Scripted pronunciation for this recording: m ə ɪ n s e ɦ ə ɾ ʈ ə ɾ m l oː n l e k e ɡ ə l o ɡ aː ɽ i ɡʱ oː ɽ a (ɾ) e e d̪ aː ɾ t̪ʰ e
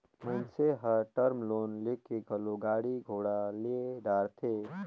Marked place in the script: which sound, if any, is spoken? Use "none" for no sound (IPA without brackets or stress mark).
l